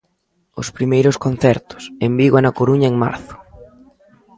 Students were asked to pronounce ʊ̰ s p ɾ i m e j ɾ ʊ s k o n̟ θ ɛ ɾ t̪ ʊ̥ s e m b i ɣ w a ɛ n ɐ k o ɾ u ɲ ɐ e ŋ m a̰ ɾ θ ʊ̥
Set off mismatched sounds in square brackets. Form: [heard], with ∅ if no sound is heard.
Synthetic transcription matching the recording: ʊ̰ s p ɾ i m e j ɾ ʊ s k o n̟ θ ɛ ɾ t̪ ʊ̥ s e m b i ɣ w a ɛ n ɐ k o ɾ u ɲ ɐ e ŋ m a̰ ɾ θ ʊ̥